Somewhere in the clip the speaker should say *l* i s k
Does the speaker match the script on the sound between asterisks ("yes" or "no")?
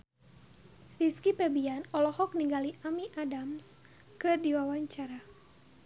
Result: no